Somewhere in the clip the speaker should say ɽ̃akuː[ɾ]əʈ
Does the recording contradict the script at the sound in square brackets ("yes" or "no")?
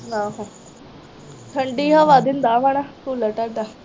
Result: yes